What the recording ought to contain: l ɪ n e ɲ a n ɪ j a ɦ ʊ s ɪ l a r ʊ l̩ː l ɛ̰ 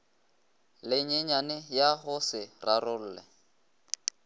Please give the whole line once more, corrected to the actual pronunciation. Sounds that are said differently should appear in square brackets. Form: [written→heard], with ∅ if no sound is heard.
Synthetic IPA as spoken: l ɪ [n→ɲ] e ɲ a n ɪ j a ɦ ʊ s ɪ [l→r] a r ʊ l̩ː l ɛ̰